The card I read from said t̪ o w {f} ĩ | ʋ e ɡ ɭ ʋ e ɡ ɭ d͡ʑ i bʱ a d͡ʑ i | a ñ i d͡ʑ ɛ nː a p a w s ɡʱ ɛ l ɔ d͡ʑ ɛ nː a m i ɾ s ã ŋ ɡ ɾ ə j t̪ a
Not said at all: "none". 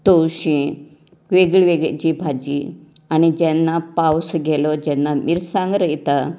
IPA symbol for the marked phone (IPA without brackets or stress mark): ɕ